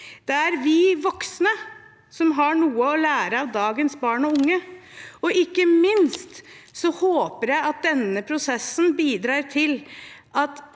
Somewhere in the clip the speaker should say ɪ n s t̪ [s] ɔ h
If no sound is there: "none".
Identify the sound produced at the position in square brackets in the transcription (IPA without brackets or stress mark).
s